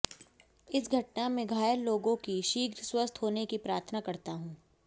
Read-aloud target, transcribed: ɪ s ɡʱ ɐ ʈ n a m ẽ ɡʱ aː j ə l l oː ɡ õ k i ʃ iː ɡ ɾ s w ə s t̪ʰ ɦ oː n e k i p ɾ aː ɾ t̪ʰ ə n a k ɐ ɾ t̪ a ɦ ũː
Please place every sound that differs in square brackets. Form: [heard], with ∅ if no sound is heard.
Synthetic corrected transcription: ɪ s ɡʱ ɐ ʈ n a m ẽ ɡʱ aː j ə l l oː ɡ õ k i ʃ iː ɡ ɾ s w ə s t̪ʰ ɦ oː n e k i p ɾ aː ɾ t̪ʰ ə n a k ɐ ɾ t̪ a ɦ ũː